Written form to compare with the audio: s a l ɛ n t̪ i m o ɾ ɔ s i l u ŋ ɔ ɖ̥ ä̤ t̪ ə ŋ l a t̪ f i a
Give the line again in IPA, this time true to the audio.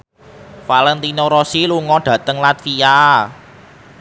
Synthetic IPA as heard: f a l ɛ n t̪ i n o ɾ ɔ s i l u ŋ ɔ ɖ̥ ä̤ t̪ ə ŋ l a t̪ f i a

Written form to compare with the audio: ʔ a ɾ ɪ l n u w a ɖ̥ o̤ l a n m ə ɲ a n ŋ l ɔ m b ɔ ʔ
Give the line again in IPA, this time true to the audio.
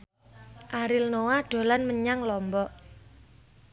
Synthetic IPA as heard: ʔ a ɾ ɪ l n o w a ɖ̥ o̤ l a n m ə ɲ a ŋ l ɔ m b ɔ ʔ

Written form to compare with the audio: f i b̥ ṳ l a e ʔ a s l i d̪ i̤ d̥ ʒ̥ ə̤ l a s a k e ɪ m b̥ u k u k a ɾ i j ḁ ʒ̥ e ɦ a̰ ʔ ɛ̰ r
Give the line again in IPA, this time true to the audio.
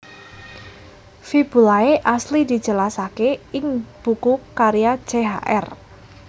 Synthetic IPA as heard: f i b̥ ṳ l a e ʔ a s l i d̪ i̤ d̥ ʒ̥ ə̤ l a s a k e ɪ ŋ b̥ u k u k a ɾ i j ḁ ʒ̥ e ɦ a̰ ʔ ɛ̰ r

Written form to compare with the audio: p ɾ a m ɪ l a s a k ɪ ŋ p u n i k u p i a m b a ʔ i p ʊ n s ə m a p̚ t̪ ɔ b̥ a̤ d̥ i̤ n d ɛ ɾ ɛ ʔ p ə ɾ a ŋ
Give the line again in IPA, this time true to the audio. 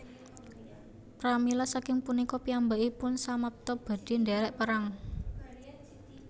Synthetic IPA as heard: p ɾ a m i l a s a k ɪ ŋ p u n i k ɔ p i a m b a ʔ i p ʊ n s a m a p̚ t̪ ɔ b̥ a̤ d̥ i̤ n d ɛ ɾ ɛ ʔ p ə ɾ a ŋ

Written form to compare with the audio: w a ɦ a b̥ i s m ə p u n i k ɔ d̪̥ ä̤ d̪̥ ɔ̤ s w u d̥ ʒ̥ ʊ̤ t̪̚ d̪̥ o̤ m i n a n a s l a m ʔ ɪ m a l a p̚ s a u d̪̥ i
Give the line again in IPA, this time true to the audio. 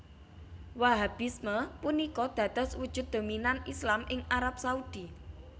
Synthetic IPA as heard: w a ɦ a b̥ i s m ə p u n i k ɔ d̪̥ ä̤ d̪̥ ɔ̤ s w u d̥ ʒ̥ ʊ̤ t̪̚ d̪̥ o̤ m i n a n i s l a m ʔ ɪ ŋ a ɾ a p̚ s a u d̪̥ i

